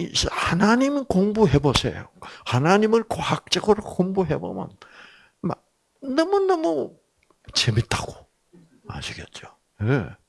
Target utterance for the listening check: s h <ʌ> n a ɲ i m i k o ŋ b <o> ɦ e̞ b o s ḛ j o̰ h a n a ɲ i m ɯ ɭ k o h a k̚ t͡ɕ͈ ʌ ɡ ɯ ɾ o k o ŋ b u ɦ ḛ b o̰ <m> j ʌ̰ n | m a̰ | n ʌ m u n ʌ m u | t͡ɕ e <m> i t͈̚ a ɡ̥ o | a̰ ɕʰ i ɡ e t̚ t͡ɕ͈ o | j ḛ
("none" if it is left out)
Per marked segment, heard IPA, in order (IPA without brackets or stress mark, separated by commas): a, u, m, m